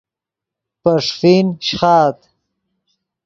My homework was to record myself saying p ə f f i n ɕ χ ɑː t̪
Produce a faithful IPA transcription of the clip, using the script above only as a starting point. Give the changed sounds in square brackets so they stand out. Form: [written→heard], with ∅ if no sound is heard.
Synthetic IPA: p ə [f→ʂ] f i n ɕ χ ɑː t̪